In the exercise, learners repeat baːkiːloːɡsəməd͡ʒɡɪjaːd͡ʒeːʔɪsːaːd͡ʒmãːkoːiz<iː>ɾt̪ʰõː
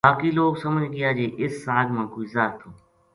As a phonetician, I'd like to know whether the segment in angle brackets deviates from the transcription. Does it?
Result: yes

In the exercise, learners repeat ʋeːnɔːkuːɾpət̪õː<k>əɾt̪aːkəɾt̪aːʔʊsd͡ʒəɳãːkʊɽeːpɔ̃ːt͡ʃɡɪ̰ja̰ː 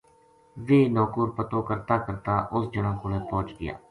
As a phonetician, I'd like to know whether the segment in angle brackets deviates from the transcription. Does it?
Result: no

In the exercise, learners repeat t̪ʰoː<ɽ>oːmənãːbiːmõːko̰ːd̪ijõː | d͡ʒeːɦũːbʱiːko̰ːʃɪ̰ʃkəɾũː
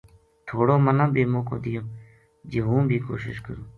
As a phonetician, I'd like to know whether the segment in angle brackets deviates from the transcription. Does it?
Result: no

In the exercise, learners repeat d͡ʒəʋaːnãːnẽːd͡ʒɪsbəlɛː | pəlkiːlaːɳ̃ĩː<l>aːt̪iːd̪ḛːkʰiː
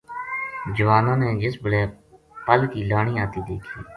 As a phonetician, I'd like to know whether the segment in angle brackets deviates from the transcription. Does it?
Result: yes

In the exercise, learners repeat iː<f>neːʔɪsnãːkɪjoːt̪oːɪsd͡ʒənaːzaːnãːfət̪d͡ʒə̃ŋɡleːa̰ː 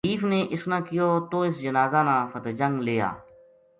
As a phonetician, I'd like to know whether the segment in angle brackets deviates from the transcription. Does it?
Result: no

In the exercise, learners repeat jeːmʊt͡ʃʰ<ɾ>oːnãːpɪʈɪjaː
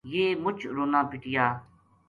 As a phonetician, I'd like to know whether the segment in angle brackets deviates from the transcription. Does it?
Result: no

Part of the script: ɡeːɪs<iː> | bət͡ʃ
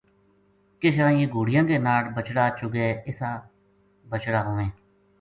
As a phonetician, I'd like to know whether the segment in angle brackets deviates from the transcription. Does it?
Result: yes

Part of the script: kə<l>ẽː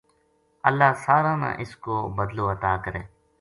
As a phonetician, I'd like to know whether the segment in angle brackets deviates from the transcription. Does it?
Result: yes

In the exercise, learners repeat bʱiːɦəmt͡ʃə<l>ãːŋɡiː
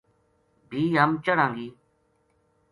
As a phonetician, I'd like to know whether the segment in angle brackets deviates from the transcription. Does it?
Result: yes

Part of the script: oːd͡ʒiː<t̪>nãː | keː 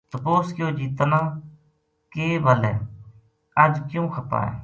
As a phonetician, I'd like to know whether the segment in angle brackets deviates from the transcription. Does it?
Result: no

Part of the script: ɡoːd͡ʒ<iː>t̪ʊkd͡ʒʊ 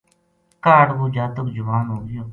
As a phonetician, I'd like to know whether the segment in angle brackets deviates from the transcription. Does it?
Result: yes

